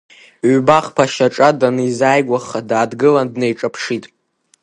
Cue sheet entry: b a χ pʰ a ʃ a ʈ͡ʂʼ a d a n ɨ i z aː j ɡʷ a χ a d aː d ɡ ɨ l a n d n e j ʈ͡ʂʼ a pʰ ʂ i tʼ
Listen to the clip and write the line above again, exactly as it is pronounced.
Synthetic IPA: b a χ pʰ a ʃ a ʈ͡ʂʼ a d a n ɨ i z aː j ɡʷ a χ a d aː d ɡ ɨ l a n d n e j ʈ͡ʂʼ a pʰ ʂ i tʼ